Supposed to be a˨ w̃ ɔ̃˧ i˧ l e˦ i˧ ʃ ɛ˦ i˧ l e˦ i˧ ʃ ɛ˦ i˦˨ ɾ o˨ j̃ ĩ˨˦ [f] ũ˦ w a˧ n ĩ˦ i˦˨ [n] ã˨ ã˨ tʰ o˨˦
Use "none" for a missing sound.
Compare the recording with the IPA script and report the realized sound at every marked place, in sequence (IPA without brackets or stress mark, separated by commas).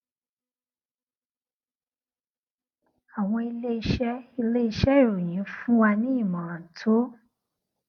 f, m